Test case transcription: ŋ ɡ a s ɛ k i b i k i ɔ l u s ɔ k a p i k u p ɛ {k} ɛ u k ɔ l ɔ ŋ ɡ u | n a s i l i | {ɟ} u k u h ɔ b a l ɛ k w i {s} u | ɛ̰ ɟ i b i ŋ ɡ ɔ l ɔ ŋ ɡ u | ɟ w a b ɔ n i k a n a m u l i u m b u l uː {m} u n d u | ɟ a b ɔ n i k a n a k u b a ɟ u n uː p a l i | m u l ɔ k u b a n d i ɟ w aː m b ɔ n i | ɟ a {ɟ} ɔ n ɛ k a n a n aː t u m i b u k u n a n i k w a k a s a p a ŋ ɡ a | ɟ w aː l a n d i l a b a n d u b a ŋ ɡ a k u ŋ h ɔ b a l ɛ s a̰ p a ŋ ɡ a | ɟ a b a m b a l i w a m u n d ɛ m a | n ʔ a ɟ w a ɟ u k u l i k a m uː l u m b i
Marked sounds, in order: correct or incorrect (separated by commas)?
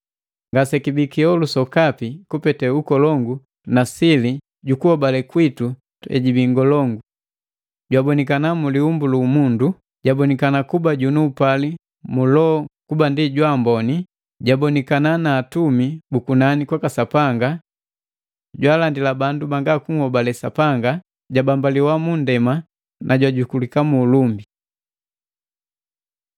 incorrect, correct, incorrect, correct, incorrect